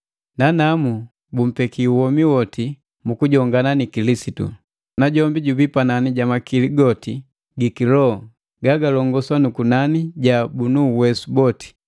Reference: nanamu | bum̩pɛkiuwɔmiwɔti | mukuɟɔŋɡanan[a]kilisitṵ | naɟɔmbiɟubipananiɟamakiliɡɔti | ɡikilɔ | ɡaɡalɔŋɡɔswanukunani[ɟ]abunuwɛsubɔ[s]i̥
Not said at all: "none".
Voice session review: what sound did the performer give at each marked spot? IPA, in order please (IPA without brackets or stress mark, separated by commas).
i, ɟ, t